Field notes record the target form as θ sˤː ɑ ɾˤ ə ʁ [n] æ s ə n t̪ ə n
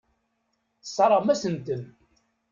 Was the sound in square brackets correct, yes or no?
no